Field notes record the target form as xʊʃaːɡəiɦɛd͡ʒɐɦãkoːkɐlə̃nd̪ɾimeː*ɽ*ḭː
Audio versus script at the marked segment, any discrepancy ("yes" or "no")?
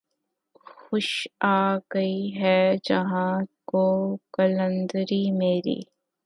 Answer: yes